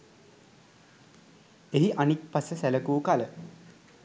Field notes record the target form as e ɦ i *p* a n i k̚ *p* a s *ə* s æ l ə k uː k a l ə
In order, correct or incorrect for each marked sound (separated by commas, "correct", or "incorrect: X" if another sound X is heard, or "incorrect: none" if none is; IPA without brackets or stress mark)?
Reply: incorrect: ʔ, correct, correct